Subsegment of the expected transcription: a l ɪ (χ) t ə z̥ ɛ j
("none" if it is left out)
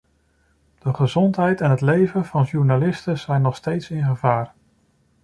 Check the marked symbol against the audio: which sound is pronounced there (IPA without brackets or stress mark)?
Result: s